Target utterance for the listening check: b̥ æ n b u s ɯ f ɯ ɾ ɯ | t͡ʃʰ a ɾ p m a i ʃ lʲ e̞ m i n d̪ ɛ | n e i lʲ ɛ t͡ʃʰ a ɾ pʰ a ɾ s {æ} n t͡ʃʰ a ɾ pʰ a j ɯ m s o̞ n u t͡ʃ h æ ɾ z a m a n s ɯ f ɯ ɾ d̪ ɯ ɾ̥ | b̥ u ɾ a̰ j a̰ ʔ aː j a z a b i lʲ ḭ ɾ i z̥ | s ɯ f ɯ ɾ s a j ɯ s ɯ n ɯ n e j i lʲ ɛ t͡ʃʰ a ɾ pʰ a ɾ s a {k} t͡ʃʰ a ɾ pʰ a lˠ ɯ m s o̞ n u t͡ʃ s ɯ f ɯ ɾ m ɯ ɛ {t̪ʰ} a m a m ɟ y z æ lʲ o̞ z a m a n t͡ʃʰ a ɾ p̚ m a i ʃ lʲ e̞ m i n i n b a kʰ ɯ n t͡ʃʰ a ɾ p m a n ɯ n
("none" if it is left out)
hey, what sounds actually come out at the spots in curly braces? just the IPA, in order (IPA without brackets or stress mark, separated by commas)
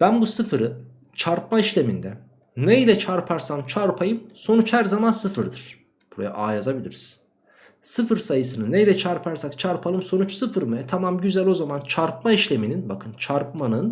a, k, t̪ʰ